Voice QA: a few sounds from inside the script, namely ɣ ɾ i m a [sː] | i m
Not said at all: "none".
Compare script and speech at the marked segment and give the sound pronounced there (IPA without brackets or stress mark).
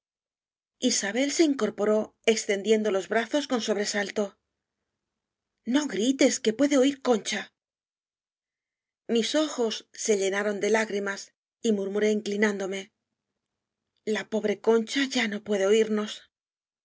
s